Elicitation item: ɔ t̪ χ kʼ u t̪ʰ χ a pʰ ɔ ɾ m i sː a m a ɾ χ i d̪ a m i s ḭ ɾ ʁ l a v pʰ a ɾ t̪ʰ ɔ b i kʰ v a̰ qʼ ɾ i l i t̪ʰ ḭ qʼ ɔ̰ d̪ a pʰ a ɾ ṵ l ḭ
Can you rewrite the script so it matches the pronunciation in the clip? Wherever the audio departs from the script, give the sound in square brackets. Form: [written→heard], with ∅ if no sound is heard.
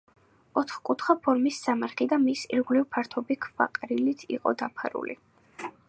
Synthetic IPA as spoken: ɔ t̪ χ kʼ u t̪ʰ χ a pʰ ɔ ɾ m i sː a m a ɾ χ i d̪ a m i s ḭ ɾ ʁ l [a→i] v pʰ a ɾ t̪ʰ ɔ b i kʰ v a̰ qʼ ɾ i l i t̪ʰ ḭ qʼ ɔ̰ d̪ a pʰ a ɾ ṵ l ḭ